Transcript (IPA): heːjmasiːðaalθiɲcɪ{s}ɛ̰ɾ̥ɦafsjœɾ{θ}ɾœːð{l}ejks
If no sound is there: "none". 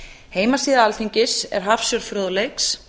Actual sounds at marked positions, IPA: s, f, l

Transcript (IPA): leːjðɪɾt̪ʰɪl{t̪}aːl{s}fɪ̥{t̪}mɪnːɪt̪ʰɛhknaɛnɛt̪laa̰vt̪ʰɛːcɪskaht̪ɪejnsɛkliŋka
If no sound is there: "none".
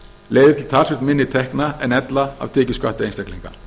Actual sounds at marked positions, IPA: t̪ʰ, s, t̪

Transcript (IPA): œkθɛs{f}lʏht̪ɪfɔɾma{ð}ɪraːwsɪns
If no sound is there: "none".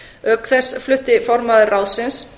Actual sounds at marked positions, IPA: f, ð

